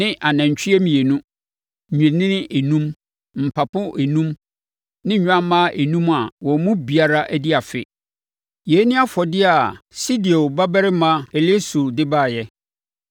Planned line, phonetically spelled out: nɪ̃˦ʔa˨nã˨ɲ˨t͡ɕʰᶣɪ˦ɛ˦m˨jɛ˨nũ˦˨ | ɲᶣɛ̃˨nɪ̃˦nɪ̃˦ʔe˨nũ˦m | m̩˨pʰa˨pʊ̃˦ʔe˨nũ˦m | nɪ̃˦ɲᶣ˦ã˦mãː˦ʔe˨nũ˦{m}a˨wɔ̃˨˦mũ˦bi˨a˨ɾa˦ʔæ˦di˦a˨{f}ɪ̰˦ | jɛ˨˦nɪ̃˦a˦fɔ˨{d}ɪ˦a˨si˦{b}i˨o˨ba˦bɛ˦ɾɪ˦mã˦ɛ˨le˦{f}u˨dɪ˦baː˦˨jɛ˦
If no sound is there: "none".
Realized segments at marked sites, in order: m, f, d, d, s

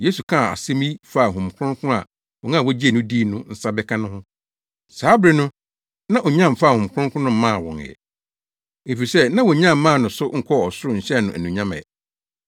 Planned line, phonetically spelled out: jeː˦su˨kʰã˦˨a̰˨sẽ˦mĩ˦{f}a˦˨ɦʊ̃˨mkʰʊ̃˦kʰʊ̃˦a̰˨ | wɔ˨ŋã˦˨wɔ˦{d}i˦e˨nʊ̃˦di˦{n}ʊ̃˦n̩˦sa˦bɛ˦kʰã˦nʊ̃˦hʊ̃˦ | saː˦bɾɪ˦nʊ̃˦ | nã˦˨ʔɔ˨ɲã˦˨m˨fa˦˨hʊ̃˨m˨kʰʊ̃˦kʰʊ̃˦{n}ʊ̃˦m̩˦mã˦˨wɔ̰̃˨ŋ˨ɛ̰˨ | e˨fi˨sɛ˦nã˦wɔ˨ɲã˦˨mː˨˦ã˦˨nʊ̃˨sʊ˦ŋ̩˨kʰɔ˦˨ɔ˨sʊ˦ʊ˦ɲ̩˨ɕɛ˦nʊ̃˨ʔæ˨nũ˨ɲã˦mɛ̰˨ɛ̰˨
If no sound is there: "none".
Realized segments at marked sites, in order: f, d͡ʑ, n, n

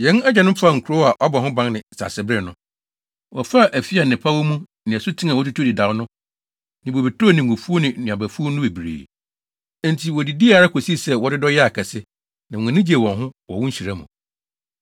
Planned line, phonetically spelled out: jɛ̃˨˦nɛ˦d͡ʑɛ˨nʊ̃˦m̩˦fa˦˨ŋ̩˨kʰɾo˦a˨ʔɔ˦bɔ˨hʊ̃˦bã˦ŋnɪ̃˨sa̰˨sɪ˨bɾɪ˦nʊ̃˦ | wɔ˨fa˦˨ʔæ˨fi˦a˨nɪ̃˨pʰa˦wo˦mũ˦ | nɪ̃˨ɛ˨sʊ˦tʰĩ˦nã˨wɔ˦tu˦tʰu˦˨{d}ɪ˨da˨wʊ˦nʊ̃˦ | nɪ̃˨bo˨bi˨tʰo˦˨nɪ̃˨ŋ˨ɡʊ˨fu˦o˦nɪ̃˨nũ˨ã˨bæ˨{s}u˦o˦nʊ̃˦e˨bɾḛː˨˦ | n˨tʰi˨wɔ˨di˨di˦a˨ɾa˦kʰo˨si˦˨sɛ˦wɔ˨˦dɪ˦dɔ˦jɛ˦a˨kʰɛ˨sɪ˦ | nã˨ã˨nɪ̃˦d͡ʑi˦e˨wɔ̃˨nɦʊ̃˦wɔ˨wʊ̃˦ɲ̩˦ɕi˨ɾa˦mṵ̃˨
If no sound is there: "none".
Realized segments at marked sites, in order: d, f

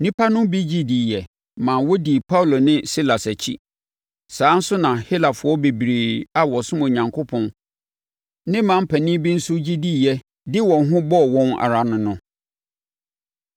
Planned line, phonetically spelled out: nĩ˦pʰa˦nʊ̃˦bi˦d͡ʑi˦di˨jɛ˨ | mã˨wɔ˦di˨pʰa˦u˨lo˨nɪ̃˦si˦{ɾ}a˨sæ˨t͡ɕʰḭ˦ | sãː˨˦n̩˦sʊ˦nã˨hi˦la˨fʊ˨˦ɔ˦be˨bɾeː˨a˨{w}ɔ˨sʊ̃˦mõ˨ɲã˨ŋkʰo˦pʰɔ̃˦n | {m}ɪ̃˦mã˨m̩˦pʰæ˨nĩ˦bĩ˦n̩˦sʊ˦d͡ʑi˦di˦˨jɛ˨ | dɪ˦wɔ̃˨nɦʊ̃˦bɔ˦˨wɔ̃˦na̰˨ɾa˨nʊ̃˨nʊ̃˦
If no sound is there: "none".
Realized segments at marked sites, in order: l, w, n

